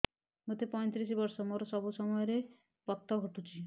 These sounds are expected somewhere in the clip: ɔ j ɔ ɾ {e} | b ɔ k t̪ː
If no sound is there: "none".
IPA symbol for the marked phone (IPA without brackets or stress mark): e